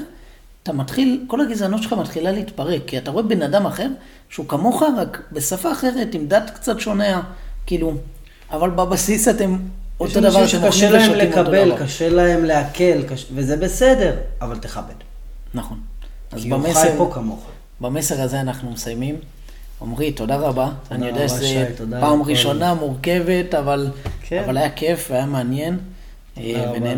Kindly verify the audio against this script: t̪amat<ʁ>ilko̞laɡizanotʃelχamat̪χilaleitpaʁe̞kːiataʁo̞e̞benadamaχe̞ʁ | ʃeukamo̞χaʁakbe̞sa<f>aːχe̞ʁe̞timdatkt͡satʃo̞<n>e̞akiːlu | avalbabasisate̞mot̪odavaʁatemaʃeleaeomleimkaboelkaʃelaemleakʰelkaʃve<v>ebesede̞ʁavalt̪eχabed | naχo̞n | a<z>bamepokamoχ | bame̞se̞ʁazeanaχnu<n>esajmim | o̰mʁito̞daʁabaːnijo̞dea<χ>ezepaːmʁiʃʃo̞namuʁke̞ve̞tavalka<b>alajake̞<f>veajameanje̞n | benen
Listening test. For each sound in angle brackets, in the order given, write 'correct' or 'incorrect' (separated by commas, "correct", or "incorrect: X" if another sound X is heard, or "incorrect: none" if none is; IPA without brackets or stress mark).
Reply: incorrect: χ, correct, correct, incorrect: z, correct, incorrect: m, incorrect: ʃ, incorrect: v, correct